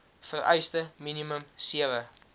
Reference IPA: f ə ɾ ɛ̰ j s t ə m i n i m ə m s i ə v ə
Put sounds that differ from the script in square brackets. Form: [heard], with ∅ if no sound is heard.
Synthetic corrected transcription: f ə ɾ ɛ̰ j s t ə m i n i m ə m s i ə v ə